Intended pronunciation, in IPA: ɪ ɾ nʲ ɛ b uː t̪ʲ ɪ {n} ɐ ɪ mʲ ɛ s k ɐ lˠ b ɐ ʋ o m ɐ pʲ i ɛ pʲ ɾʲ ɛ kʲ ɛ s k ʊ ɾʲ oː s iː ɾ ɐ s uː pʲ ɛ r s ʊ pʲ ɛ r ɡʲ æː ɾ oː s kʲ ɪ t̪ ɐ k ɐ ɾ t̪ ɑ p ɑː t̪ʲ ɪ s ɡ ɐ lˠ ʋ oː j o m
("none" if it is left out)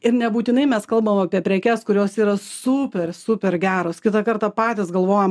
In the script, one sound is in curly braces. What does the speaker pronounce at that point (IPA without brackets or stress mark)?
n